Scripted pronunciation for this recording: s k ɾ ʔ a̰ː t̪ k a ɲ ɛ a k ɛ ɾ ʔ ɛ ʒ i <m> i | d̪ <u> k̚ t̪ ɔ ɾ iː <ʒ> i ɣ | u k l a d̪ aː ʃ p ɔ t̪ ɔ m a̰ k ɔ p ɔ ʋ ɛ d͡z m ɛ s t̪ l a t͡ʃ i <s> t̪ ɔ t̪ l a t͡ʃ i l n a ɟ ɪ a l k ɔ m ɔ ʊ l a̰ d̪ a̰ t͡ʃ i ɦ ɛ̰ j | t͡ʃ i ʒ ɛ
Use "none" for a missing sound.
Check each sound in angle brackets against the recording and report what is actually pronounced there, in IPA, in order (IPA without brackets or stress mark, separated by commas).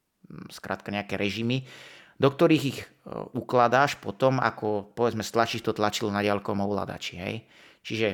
m, ɔ, ɣ, ʃ